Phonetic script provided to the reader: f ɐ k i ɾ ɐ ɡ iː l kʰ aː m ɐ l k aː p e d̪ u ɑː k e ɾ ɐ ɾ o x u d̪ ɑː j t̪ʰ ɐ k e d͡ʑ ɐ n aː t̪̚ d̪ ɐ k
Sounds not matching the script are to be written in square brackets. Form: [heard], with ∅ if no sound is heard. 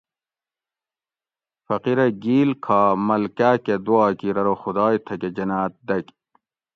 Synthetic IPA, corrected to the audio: f ɐ [q] i ɾ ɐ ɡ iː l kʰ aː m ɐ l k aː [k] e d̪ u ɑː k [i] ɾ ɐ ɾ o x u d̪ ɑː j t̪ʰ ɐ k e d͡ʑ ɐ n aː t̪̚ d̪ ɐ k